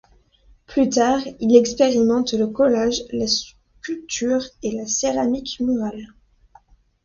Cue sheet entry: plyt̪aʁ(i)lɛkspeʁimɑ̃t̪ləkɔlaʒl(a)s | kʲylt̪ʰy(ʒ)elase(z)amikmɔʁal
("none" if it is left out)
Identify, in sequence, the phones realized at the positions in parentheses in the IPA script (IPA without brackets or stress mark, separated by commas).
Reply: i, a, ʁ, ʁ